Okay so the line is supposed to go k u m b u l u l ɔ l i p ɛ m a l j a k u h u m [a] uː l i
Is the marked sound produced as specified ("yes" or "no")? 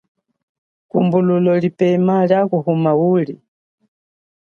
yes